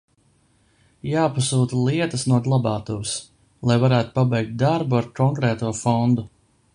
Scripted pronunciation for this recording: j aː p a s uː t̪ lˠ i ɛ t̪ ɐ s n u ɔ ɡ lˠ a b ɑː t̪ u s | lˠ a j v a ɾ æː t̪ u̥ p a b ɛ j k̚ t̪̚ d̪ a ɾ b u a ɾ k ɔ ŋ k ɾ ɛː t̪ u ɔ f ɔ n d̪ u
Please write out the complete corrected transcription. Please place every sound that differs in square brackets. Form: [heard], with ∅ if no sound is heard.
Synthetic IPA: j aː p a s uː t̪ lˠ i ɛ t̪ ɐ s n u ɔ ɡ lˠ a b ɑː t̪ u s | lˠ a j v a ɾ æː t̪ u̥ p a b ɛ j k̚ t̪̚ d̪ a ɾ b u a ɾ k ɔ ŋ k ɾ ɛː t̪ u ɔ f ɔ n d̪ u